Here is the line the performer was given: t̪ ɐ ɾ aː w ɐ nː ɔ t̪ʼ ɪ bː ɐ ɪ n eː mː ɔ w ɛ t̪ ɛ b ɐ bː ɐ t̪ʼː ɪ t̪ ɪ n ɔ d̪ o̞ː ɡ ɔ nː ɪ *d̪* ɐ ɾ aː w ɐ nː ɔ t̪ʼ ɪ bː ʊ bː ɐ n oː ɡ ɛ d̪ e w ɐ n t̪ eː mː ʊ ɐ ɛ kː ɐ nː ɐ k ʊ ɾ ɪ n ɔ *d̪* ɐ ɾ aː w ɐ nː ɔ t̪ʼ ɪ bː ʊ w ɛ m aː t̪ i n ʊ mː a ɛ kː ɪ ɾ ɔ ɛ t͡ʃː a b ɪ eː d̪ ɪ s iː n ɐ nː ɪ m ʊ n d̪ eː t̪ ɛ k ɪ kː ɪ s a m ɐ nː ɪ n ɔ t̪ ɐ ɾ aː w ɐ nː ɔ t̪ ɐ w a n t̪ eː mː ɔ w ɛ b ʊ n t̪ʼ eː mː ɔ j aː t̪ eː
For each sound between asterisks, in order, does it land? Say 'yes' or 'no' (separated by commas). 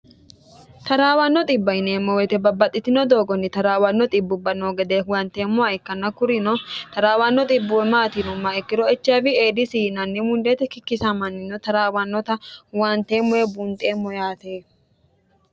no, no